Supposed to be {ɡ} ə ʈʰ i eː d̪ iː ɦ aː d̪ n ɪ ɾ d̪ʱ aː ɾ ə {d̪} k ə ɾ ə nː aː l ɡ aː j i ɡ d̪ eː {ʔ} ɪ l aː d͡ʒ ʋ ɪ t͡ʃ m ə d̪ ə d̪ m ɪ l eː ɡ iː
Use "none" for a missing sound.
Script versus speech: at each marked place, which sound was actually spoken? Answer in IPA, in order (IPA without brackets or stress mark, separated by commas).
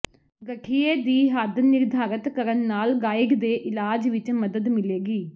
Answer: ɡ, t̪, ʔ